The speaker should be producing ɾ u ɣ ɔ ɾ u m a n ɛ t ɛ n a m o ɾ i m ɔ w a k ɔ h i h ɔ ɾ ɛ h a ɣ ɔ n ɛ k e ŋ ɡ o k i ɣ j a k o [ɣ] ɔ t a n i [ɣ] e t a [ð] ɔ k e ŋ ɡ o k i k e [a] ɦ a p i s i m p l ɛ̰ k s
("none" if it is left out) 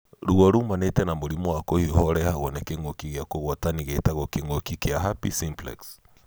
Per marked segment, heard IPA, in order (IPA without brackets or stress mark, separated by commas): ɣ, ɣ, ɣ, a